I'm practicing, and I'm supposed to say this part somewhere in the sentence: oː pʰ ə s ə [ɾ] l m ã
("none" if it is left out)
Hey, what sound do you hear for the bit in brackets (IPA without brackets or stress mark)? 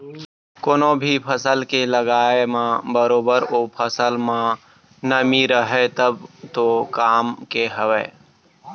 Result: none